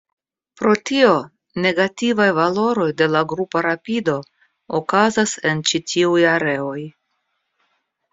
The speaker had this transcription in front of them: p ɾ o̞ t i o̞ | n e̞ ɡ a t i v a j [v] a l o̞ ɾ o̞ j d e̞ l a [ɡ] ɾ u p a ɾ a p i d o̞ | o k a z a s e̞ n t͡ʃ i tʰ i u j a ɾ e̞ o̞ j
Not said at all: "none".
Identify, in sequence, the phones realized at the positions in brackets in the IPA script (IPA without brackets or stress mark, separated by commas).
v, ɡ